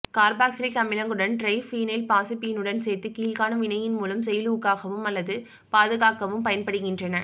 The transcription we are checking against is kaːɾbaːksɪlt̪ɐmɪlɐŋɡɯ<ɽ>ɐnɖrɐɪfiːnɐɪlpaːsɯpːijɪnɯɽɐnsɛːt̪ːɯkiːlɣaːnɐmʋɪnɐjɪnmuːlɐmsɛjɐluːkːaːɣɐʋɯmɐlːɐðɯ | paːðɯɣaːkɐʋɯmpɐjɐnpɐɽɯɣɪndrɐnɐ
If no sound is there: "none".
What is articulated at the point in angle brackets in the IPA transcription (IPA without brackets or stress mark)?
ɽ